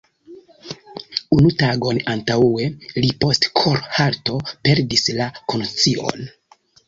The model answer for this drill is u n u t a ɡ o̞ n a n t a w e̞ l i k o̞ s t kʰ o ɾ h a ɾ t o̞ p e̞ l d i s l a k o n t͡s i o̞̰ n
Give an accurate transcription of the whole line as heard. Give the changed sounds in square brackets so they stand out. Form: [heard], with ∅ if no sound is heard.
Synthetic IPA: u n u t a ɡ o̞ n a n t a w e̞ l i [p] o̞ s t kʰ o ɾ h a ɾ t o̞ p e̞ [ɾ] d i s l a k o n t͡s i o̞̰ n

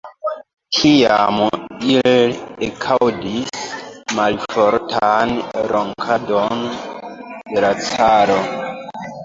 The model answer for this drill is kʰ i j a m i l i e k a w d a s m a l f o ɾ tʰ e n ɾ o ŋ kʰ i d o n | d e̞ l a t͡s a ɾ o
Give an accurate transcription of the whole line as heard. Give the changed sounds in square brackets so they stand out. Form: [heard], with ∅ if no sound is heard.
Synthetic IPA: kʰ i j a m i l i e [kʰ] a w d [i] s m a l f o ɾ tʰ [a] n ɾ o ŋ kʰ [a] d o n | d e̞ l a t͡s a ɾ o

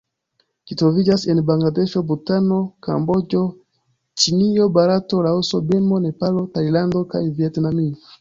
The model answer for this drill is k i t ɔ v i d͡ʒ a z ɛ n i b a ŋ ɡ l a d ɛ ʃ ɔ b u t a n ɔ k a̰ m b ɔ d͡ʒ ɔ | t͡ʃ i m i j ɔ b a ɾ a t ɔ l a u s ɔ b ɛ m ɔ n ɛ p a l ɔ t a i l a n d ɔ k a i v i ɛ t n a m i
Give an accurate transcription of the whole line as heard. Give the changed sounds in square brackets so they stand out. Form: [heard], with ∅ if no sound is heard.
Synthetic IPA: k i t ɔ v i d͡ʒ a [s] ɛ n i b a ŋ ɡ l a d ɛ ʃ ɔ b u t a n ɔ k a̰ m b ɔ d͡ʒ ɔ | t͡ʃ i [n] i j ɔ b a ɾ a t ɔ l a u s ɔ b ɛ m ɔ n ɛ p a l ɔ t a i l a n d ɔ k a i v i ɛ t n a m i

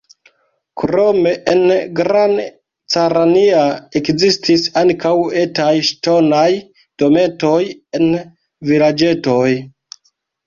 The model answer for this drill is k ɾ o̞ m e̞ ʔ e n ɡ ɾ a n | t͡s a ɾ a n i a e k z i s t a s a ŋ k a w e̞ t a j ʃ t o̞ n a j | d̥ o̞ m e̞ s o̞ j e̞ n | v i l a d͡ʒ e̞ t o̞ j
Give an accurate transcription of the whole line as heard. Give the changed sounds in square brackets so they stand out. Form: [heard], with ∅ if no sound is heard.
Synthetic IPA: k ɾ o̞ m e̞ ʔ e n ɡ ɾ a n | t͡s a ɾ a n i a e k z i s t [i] s a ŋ k a w e̞ t a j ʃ t o̞ n a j | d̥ o̞ m e̞ [t] o̞ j e̞ n | v i l a d͡ʒ e̞ t o̞ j

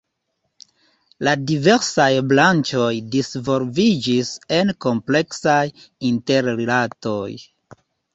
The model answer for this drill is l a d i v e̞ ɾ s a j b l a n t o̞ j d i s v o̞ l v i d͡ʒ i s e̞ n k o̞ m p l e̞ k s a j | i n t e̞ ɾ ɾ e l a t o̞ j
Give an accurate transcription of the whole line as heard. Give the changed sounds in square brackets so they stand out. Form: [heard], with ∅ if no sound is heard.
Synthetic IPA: l a d i v e̞ ɾ s a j b l a n [t͡ʃ] o̞ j d i s v o̞ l v i d͡ʒ i s e̞ n k o̞ m p l e̞ k s a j | i n t e̞ ɾ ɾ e l a t o̞ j

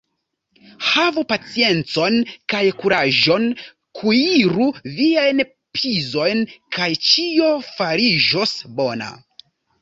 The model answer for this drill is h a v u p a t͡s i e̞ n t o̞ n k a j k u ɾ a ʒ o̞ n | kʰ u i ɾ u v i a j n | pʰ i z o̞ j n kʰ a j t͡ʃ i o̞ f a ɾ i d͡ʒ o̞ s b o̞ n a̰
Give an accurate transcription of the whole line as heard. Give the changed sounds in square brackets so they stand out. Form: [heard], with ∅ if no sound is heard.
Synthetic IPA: h a v u p a t͡s i e̞ n [t͡s] o̞ n k a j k u ɾ a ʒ o̞ n | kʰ u i ɾ u v i a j n | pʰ i z o̞ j n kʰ a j t͡ʃ i o̞ f a ɾ i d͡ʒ o̞ s b o̞ n a̰

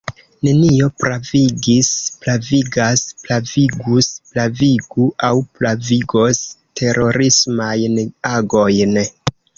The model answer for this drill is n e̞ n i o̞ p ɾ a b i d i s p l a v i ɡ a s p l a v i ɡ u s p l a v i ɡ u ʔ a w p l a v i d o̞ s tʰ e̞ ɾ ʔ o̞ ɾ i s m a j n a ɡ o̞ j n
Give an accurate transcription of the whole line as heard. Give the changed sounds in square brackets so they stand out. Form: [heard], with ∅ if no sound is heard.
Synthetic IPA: n e̞ n i o̞ p ɾ a [v] i [ɡ] i s p l a v i ɡ a s p l a v i ɡ u s p l a v i ɡ u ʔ a w p l a v i [ɡ] o̞ s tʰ e̞ ɾ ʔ o̞ ɾ i s m a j n a ɡ o̞ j n

